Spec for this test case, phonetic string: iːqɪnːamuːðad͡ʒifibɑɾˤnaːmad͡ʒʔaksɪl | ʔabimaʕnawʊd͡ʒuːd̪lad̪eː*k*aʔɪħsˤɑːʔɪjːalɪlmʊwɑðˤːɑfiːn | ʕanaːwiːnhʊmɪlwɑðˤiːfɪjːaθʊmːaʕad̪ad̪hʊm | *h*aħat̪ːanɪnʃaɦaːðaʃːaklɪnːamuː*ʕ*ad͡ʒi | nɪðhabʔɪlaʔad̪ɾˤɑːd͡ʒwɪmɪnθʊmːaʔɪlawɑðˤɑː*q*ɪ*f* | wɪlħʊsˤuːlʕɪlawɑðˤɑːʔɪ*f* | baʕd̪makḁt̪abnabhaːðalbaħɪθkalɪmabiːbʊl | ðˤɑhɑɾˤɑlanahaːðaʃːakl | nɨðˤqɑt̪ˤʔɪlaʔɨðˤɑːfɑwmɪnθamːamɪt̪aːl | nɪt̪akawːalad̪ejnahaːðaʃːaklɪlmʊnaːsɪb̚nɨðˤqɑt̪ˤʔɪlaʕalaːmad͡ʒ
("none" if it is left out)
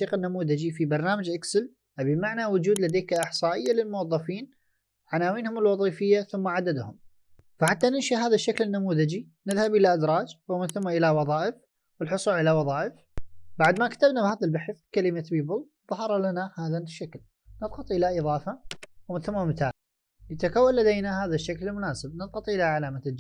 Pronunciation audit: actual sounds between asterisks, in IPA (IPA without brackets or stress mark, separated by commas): k, f, ð, ʔ, f, f